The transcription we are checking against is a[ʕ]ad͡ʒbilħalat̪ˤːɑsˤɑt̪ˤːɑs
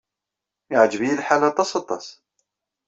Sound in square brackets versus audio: correct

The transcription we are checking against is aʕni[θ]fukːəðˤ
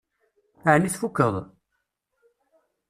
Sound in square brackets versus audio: correct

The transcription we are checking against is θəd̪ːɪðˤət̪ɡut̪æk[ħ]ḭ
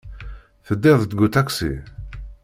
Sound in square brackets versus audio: incorrect: s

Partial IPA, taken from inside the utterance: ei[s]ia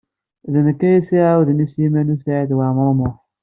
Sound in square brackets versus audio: correct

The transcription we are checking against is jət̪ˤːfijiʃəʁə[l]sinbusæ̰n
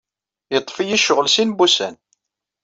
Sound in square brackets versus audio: correct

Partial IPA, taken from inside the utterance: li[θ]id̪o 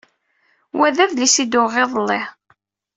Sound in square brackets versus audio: incorrect: s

